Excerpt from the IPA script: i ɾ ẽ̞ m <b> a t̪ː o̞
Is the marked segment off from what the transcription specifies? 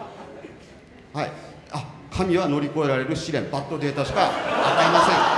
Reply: no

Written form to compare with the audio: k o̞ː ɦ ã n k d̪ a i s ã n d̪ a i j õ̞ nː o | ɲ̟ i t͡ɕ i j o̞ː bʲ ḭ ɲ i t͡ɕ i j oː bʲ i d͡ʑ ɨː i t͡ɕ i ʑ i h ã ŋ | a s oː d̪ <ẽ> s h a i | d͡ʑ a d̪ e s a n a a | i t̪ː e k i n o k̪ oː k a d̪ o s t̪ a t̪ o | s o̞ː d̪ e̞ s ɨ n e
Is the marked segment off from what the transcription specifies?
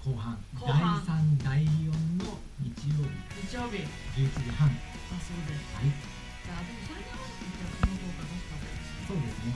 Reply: yes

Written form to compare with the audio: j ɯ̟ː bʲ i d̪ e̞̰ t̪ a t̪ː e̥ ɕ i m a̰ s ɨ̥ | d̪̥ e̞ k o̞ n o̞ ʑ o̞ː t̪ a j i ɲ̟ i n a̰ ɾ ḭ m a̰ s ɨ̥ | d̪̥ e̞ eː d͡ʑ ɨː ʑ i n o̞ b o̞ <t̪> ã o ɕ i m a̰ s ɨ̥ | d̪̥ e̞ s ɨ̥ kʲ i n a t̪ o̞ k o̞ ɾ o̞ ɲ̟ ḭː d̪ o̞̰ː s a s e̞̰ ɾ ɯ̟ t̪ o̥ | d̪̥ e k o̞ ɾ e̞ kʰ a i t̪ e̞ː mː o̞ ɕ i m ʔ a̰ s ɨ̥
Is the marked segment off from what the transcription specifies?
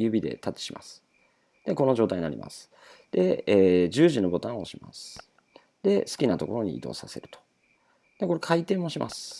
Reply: no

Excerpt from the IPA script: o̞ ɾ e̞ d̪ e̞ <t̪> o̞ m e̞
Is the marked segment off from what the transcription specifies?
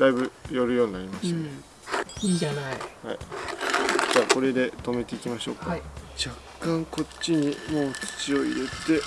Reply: no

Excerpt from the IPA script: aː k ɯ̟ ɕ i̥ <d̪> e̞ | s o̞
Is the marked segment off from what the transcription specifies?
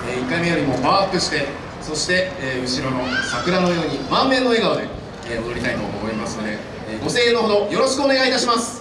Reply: yes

